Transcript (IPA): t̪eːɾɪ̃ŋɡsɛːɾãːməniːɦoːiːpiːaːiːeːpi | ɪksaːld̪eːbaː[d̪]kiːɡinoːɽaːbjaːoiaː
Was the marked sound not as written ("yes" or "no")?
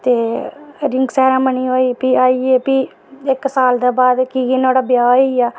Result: no